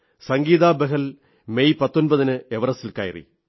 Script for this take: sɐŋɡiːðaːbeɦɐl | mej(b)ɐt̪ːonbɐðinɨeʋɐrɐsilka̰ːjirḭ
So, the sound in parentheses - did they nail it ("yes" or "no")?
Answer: no